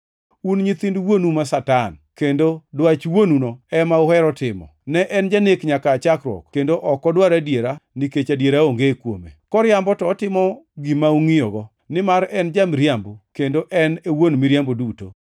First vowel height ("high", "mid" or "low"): high